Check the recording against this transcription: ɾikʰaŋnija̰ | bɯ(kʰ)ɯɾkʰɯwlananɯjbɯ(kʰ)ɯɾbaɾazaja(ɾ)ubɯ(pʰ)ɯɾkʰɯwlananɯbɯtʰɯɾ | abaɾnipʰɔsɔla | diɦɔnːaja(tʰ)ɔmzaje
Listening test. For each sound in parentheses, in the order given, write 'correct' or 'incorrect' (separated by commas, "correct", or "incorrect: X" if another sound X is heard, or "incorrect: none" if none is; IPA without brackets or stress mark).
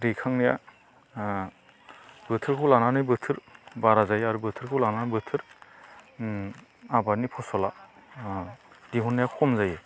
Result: incorrect: tʰ, incorrect: tʰ, correct, incorrect: tʰ, incorrect: kʰ